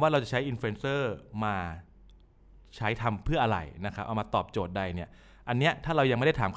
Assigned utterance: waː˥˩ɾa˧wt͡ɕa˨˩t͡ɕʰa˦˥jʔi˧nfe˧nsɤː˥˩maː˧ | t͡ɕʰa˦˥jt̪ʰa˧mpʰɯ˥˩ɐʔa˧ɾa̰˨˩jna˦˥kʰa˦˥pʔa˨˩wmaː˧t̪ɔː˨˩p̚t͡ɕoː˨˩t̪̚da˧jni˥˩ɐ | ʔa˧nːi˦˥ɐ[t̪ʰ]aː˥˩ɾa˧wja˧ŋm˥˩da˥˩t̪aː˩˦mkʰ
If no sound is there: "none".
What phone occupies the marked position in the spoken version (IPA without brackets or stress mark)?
t̪ʰ